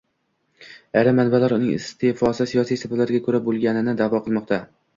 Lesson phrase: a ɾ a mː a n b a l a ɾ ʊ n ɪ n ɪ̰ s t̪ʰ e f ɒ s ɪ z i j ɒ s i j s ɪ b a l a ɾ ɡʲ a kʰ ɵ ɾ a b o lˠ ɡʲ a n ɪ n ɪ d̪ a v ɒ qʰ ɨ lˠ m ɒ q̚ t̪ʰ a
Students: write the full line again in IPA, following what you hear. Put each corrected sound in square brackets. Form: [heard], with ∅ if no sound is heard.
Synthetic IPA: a ɾ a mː a n b a l a ɾ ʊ n ɪ [ŋ] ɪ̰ s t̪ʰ e f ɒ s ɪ [s] i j ɒ s i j s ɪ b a l a ɾ ɡʲ a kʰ ɵ ɾ a b o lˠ ɡʲ a n ɪ n ɪ d̪ a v ɒ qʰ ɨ lˠ m ɒ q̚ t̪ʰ a